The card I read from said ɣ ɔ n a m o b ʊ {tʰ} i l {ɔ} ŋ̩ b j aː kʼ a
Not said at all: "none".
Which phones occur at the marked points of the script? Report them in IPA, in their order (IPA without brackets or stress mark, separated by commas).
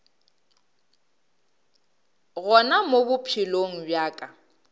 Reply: pʰ, o